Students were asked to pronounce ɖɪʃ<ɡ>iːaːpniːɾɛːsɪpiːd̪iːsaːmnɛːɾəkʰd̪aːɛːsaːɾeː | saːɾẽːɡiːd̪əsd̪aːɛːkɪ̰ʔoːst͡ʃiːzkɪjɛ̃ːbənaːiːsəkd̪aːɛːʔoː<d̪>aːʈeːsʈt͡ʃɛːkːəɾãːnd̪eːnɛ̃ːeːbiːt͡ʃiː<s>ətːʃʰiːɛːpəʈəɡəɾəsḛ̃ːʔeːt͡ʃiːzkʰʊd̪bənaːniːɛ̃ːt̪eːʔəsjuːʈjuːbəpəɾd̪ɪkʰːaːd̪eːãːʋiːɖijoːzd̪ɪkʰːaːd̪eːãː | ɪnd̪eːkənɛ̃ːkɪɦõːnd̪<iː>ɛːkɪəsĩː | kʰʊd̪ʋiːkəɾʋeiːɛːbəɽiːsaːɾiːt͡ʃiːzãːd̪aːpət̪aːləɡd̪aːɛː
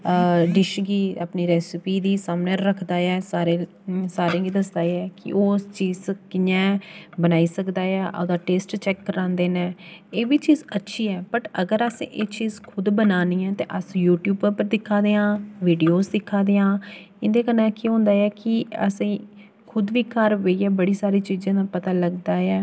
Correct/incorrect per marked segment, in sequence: correct, correct, incorrect: z, incorrect: aː

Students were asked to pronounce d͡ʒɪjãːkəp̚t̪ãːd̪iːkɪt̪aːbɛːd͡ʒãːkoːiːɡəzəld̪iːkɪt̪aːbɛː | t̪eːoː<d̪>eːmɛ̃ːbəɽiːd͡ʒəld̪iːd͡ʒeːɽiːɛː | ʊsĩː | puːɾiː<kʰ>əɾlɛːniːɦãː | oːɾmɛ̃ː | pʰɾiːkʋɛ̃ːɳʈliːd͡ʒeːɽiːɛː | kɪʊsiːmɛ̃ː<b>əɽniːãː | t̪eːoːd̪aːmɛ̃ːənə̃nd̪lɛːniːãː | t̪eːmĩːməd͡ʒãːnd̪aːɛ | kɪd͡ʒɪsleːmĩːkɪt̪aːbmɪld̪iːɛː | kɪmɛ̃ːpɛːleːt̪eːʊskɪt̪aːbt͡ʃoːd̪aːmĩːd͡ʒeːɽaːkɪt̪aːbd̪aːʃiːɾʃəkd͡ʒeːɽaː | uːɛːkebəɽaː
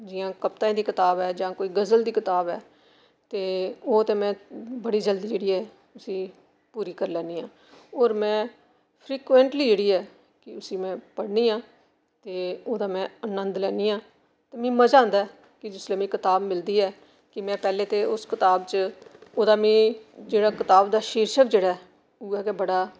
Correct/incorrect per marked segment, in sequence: incorrect: t̪, incorrect: k, incorrect: p

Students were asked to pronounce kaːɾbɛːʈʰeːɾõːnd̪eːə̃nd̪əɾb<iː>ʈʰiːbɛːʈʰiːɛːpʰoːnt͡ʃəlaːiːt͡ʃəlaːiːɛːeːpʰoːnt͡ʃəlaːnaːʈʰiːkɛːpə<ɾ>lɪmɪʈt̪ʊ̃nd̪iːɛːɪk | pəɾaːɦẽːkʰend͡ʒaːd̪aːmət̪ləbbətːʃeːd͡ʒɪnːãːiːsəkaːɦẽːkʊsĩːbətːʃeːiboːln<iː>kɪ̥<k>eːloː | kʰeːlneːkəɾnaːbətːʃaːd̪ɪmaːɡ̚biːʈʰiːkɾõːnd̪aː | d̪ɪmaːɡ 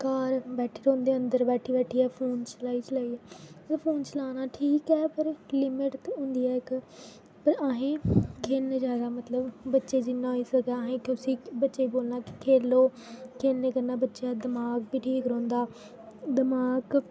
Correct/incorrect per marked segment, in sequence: incorrect: ɛː, correct, incorrect: aː, incorrect: kʰ

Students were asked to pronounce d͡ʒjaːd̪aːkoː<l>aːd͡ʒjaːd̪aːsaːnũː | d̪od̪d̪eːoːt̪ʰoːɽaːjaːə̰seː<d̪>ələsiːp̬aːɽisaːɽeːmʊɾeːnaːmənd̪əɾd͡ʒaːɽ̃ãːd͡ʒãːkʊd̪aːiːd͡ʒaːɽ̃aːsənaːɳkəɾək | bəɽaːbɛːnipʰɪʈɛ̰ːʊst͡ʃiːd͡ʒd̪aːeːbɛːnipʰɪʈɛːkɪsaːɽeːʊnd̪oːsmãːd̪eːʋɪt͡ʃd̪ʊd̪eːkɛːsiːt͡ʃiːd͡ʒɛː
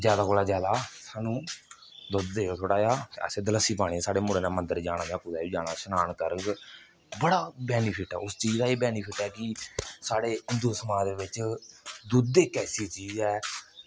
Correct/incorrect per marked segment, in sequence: correct, correct

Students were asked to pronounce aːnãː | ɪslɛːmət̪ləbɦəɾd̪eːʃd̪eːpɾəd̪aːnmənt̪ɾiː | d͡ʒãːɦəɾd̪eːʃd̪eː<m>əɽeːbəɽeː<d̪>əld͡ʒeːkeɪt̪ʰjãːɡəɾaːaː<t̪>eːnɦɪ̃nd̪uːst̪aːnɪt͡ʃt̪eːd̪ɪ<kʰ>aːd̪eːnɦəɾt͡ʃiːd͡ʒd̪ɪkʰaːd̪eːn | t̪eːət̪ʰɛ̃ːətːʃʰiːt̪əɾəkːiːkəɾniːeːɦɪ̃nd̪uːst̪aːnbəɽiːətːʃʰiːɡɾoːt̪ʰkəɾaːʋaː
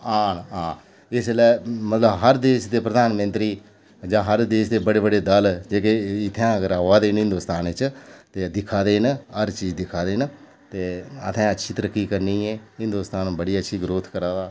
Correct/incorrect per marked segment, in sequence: incorrect: b, correct, incorrect: d̪, correct

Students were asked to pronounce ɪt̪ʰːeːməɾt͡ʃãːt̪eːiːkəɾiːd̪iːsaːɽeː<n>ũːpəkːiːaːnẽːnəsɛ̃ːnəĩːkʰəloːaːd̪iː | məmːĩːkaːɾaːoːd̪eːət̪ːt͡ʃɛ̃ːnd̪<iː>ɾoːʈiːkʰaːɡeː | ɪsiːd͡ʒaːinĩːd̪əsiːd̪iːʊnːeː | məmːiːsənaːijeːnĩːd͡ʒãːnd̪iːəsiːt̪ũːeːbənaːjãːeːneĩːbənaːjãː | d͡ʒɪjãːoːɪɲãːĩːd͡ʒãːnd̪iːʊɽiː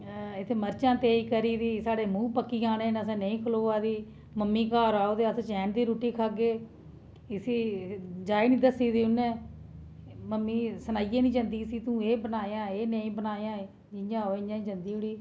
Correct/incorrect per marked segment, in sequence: incorrect: m, correct

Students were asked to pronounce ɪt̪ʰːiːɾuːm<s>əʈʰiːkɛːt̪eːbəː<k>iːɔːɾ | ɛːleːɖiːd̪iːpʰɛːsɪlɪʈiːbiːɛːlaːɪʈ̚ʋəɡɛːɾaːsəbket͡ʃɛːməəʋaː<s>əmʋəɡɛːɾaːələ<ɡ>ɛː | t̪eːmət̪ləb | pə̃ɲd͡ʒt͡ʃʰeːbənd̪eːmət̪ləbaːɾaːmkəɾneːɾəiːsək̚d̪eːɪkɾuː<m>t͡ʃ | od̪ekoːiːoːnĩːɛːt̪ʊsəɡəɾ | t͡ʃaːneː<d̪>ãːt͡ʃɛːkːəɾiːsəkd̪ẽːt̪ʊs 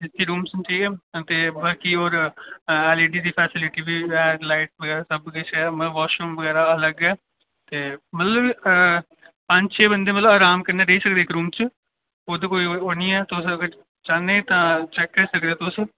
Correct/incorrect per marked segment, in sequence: correct, correct, incorrect: ʃ, correct, correct, incorrect: t̪

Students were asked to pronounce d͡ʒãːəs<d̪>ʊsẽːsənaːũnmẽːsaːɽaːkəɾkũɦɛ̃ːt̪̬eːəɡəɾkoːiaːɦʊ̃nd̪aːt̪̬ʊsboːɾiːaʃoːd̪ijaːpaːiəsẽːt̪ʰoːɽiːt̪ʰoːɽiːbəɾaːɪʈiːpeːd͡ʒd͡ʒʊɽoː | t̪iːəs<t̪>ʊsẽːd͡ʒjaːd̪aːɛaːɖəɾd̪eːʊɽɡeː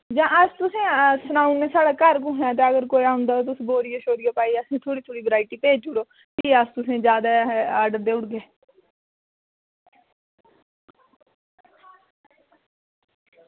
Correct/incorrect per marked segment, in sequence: incorrect: t̪, correct

